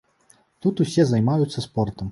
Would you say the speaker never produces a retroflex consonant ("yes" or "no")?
yes